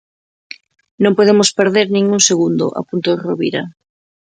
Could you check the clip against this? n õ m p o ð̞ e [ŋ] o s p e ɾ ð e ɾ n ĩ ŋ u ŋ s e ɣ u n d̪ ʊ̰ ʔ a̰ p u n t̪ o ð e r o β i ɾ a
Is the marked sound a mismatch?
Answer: yes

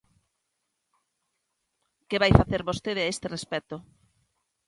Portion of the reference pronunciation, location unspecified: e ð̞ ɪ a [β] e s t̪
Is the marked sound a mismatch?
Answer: yes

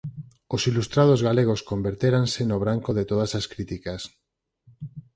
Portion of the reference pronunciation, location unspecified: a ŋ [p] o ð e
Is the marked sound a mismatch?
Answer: yes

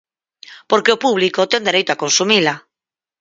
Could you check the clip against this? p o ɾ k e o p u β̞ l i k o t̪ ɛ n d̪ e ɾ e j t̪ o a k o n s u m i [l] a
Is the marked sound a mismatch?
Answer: no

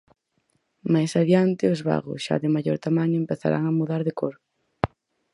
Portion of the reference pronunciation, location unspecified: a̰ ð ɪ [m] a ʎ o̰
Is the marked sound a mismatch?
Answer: no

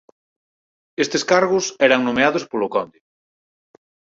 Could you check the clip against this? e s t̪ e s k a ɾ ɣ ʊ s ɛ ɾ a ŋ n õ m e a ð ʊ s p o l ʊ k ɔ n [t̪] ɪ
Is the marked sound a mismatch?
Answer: yes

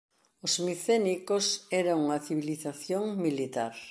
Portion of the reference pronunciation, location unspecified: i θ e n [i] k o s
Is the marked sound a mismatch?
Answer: no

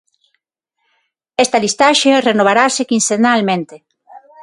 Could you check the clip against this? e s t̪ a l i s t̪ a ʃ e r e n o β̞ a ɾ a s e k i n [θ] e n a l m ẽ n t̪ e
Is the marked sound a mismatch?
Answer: yes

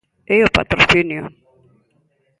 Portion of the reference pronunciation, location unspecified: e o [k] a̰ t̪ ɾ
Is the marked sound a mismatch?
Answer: yes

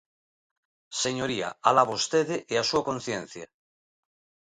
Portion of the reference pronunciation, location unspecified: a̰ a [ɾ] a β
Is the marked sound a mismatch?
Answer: yes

